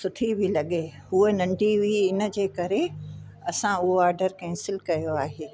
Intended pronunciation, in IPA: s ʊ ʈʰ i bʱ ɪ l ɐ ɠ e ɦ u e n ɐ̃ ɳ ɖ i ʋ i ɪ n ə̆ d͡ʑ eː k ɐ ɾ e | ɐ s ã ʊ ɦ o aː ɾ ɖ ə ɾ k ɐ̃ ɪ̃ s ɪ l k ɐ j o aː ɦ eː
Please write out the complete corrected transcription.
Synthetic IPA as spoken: s ʊ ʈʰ i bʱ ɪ l ɐ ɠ e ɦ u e n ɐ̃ ɳ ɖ i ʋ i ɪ n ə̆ d͡ʑ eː k ɐ ɾ e | ɐ s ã ʊ ɦ o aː ɾ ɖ ə ɾ k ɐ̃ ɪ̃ s ɪ l k ɐ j o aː ɦ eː